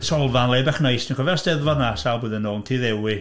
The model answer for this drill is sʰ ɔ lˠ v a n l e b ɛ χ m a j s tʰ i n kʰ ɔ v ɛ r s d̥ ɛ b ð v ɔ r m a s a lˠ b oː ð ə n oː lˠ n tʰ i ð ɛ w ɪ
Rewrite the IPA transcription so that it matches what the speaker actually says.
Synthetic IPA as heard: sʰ ɔ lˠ v a n l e b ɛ χ n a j s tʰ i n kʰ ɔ v ɛ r s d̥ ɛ ð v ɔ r n a s a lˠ b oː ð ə n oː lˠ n tʰ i ð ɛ w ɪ